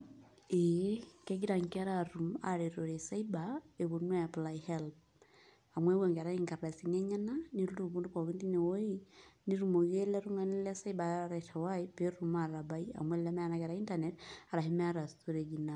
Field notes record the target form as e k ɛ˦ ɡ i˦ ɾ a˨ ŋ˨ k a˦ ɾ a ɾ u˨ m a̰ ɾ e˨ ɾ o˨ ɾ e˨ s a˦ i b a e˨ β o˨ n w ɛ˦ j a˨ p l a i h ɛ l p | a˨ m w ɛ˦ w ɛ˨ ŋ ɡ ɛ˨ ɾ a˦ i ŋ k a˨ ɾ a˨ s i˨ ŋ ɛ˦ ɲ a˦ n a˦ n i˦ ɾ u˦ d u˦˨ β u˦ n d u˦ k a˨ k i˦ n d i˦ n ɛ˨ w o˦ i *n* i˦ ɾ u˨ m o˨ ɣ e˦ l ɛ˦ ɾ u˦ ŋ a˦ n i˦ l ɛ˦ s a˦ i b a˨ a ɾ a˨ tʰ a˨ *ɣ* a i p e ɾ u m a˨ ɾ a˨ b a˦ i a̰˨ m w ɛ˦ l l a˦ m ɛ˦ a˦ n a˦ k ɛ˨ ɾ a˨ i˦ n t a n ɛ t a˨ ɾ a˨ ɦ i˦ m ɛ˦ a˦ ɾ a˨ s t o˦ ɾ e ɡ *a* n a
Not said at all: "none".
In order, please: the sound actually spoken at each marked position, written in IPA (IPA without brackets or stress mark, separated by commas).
n, w, i